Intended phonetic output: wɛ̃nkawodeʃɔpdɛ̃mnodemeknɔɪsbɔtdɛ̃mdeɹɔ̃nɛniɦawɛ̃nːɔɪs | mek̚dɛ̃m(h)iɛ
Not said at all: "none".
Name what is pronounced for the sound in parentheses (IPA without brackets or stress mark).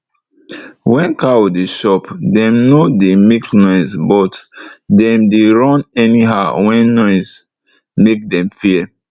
f